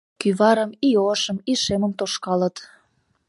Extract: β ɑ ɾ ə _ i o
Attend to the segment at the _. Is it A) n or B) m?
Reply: B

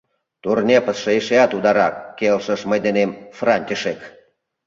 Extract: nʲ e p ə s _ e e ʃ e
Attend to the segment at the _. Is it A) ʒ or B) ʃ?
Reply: B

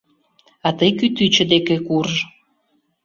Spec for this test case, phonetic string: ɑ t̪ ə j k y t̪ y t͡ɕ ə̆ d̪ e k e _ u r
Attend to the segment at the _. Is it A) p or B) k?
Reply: B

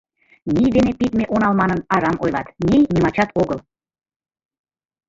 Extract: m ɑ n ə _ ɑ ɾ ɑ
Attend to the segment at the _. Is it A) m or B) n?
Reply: B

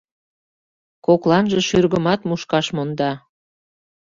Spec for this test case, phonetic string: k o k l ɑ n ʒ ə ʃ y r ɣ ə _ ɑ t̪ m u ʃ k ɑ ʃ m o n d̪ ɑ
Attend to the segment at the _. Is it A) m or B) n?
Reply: A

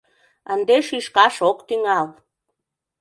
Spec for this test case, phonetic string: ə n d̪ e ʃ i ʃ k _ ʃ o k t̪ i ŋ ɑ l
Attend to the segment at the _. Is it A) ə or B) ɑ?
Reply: B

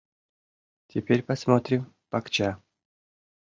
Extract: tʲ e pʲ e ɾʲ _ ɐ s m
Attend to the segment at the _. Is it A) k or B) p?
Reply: B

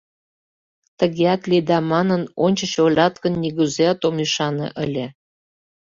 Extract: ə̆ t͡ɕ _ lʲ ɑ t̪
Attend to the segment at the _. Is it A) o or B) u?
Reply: A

